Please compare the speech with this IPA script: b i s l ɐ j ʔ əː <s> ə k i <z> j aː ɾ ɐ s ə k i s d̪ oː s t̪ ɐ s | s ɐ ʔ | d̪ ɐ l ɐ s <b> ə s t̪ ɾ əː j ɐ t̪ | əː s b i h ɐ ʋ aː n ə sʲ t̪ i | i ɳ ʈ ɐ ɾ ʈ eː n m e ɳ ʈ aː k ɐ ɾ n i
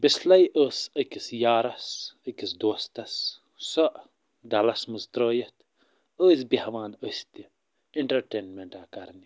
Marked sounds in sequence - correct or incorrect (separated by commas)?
correct, incorrect, incorrect